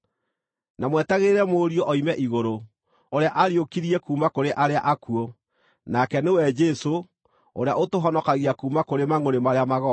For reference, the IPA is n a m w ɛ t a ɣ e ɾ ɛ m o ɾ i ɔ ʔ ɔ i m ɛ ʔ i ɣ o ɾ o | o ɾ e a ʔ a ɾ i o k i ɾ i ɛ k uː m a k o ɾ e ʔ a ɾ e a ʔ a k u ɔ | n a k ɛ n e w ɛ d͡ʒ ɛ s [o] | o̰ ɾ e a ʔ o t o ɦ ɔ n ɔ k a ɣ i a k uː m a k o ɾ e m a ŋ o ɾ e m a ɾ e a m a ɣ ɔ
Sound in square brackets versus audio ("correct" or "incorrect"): correct